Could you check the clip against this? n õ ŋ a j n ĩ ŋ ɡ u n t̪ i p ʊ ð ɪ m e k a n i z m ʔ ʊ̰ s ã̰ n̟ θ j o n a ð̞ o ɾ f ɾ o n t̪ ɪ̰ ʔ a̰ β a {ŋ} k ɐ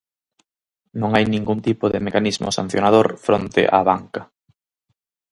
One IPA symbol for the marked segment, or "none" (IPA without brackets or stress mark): ŋ